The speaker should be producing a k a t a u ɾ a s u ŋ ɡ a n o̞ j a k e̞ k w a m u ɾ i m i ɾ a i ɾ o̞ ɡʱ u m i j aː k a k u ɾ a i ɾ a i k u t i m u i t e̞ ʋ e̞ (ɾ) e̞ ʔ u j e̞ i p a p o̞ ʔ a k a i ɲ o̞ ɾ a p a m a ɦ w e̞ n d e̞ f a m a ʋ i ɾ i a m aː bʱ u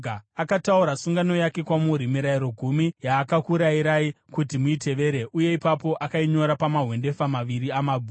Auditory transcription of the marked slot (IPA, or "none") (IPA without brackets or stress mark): ɾ